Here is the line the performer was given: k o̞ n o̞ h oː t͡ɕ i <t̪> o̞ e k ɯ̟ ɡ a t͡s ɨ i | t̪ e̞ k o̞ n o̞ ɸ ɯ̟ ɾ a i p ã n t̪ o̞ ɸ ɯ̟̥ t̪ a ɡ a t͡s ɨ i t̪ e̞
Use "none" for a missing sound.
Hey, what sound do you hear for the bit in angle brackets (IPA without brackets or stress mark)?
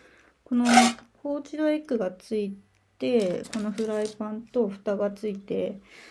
d̪